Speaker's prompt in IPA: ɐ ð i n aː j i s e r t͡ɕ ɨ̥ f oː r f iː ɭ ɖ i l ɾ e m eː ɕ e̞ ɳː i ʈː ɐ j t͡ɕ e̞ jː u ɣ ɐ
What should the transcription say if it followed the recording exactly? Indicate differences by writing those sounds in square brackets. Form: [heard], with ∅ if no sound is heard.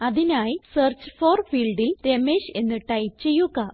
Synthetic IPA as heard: ɐ ð i n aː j i s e r t͡ɕ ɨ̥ f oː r f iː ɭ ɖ i l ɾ e m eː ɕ e̞ [nː] i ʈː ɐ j t͡ɕ e̞ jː u ɣ ɐ